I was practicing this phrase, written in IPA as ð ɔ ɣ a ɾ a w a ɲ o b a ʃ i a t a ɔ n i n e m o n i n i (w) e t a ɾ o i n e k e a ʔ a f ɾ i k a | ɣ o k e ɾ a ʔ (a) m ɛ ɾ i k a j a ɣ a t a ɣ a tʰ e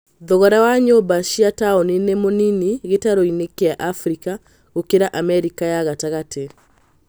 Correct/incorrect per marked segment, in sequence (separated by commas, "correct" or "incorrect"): incorrect, correct